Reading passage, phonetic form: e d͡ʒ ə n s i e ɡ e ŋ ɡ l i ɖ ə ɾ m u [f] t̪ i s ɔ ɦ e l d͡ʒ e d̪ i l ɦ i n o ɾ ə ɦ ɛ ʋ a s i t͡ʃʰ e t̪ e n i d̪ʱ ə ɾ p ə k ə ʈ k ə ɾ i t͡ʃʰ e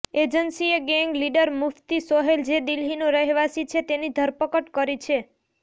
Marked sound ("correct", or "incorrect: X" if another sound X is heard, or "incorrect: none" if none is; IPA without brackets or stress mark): correct